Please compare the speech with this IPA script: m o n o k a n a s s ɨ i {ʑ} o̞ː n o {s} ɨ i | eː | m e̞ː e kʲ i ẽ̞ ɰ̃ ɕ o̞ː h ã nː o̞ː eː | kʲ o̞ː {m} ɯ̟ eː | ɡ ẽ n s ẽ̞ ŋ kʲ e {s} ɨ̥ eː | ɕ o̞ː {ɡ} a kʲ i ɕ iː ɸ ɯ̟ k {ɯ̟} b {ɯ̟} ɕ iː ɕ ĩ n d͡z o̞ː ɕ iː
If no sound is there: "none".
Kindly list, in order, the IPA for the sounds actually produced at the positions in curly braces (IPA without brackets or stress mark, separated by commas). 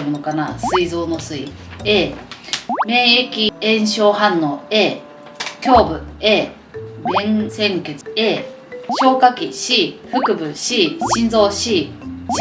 z, s, b, t͡s, k, ɯ̟, ɯ̟